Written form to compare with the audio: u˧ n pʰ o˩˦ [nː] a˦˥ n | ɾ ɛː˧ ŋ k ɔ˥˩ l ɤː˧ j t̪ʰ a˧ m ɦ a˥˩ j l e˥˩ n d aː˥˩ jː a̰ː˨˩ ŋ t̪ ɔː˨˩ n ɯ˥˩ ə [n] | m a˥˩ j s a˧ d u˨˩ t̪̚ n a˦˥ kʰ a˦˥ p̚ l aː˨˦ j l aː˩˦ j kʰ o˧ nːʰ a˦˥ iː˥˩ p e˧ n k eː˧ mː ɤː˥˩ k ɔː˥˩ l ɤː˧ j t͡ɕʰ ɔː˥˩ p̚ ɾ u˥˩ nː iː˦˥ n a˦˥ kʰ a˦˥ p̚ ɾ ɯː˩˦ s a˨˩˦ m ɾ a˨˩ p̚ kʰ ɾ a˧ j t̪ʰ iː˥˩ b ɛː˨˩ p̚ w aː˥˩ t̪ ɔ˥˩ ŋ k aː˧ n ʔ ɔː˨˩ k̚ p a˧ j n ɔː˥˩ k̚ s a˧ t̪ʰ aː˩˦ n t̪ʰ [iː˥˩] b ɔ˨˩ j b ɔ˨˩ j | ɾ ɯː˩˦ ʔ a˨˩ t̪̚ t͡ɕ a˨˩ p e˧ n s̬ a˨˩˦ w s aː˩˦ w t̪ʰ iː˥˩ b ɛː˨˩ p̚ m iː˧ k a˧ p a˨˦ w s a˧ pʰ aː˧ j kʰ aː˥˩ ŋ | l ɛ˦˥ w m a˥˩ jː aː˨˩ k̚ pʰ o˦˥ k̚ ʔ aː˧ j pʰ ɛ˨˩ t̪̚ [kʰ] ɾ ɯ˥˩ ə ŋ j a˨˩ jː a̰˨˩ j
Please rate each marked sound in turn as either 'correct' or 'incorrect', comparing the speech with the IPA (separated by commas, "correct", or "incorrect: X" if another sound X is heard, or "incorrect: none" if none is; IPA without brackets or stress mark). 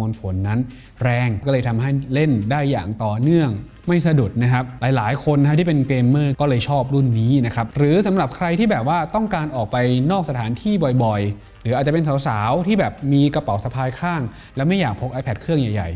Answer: correct, incorrect: ŋ, correct, correct